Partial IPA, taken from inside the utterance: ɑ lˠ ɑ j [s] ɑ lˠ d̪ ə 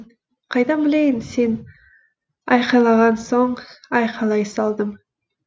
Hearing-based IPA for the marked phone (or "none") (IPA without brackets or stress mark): s